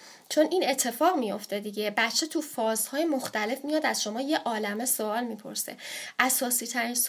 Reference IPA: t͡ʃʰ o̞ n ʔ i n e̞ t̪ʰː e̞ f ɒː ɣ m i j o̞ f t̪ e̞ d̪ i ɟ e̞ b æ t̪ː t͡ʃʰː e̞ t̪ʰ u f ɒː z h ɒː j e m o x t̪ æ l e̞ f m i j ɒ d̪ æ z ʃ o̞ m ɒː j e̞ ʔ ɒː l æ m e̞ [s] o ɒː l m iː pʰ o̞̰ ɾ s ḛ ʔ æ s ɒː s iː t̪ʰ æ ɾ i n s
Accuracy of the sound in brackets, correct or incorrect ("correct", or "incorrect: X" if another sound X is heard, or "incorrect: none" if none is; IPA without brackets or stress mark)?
correct